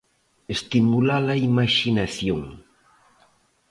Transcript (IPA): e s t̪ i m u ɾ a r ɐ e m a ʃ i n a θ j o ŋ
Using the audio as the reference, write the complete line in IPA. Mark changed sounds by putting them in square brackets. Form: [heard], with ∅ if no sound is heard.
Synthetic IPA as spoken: e s t̪ i m u [l] a [l] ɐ [i] m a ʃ i n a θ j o ŋ